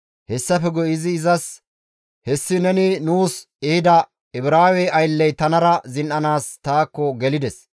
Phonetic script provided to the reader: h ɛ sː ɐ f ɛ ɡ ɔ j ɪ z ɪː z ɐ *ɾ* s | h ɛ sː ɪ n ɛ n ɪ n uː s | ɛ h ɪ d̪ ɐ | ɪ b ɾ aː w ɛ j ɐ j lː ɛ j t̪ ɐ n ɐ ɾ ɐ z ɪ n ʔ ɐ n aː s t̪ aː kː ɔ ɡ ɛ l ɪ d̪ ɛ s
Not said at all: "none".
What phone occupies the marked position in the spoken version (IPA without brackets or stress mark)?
none